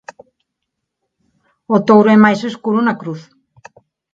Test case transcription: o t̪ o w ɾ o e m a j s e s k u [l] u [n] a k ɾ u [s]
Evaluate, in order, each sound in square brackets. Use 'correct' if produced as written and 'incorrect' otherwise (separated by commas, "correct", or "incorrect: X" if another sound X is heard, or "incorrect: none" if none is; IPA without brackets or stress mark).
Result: incorrect: ɾ, correct, incorrect: θ